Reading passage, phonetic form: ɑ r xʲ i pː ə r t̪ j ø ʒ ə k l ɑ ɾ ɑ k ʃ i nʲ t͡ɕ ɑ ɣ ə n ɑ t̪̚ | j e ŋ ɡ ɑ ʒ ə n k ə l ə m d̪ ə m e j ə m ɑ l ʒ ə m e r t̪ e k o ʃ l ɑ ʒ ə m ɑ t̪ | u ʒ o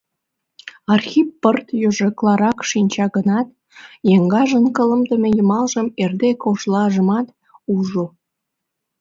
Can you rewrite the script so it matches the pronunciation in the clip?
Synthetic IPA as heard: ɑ r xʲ i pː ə r t̪ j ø ʒ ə k l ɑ ɾ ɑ k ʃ i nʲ t͡ɕ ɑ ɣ ə n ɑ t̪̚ | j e ŋ ɡ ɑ ʒ ə n k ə l ə m d̪ ə m e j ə m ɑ l ʒ ə m e r d̪ e k o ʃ l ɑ ʒ ə m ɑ t̪ | u ʒ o